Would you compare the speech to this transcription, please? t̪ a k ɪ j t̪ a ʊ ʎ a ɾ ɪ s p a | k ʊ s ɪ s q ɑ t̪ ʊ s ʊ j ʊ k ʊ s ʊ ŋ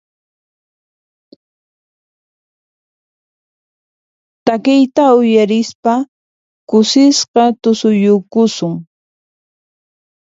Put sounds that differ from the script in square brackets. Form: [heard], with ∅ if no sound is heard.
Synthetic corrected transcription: t̪ a k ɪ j t̪ a ʊ [j] a ɾ ɪ s p a | k ʊ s ɪ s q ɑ t̪ ʊ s ʊ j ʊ k ʊ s ʊ ŋ